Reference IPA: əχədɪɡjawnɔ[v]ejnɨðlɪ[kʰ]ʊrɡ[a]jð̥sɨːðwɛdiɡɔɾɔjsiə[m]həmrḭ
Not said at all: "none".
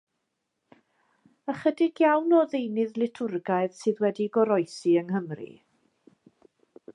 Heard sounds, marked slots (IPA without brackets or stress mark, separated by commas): ð, tʰ, a, ŋ